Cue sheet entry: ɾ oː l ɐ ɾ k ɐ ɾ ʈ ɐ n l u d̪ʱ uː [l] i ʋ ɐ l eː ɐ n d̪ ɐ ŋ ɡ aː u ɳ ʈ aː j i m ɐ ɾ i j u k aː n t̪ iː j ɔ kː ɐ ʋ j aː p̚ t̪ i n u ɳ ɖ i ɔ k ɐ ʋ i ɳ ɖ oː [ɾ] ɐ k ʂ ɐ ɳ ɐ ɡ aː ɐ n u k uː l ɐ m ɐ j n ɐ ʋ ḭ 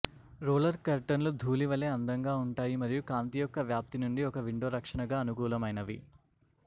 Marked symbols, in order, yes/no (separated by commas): yes, yes